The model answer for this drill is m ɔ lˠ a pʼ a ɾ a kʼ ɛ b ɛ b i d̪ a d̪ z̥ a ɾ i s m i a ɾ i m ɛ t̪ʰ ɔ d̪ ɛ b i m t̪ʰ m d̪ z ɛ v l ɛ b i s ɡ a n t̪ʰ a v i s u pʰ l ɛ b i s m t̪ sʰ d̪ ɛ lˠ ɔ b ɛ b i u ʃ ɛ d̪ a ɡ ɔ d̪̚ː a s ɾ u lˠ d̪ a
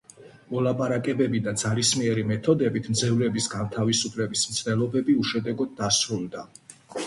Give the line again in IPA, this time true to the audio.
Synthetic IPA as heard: m ɔ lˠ a pʼ a ɾ a kʼ ɛ b ɛ b i d̪ a d̪ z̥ a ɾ i s m i ɛ ɾ i m ɛ t̪ʰ ɔ d̪ ɛ b i t̪ʰ m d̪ z ɛ v l ɛ b i s ɡ a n t̪ʰ a v i s u pʰ l ɛ b i s m t̪ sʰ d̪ ɛ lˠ ɔ b ɛ b i u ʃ ɛ d̪ ɛ ɡ ɔ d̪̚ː a s ɾ u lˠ d̪ a